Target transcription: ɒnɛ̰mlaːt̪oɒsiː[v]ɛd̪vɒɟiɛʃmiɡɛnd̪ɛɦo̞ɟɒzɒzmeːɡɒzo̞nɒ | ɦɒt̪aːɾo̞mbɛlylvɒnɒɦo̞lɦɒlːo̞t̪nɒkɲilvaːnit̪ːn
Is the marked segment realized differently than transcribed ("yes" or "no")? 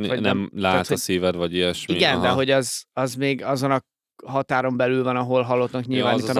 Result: no